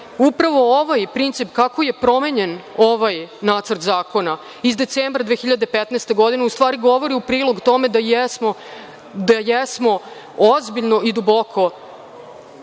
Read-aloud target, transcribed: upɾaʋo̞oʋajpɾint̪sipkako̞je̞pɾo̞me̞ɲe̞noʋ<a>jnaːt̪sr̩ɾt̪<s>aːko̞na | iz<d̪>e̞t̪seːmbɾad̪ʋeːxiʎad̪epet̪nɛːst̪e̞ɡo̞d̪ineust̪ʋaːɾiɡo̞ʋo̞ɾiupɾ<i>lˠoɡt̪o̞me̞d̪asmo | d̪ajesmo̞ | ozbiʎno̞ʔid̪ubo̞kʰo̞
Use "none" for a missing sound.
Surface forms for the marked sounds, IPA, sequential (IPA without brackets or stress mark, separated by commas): a, z, d̪, iː